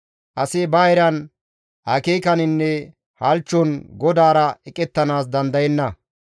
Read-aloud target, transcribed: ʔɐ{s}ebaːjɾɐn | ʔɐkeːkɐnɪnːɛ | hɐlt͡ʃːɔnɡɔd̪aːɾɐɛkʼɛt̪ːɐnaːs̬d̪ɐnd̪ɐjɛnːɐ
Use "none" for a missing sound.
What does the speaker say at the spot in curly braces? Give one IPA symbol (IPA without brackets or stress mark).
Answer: s